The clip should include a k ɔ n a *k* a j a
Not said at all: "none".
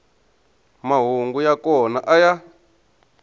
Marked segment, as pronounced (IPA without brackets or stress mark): ʔ